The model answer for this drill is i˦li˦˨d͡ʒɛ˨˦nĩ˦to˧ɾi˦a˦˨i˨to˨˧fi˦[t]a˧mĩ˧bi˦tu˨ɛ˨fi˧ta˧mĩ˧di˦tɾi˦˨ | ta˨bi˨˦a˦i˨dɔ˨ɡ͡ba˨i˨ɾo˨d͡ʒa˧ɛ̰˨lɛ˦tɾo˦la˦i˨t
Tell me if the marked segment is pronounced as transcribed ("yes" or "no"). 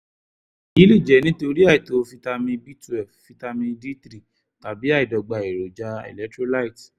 yes